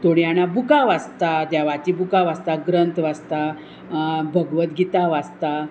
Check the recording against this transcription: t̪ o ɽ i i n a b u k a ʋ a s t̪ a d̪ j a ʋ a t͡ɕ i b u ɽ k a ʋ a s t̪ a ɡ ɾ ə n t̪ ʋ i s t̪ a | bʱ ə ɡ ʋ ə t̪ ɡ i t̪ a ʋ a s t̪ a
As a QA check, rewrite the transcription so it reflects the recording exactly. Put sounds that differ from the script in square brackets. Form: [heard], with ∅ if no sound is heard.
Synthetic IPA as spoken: t̪ o ɽ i [a] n a b u k a ʋ a s t̪ a d̪ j a ʋ a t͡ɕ i b u [∅] k a ʋ a s t̪ a ɡ ɾ ə n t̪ ʋ [a] s t̪ a | bʱ ə ɡ ʋ ə t̪ ɡ i t̪ a ʋ a s t̪ a